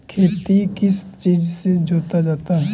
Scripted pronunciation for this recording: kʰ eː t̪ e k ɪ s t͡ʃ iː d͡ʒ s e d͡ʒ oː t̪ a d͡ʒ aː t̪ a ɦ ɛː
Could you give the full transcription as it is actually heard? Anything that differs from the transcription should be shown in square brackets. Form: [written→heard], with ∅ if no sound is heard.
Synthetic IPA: kʰ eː t̪ [e→i] k ɪ s t͡ʃ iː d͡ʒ s e d͡ʒ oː t̪ a d͡ʒ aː t̪ a ɦ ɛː